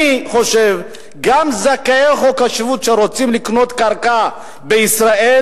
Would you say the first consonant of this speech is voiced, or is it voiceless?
voiceless